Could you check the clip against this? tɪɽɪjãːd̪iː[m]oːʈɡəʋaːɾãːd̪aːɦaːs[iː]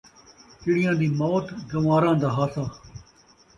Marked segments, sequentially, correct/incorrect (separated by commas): correct, incorrect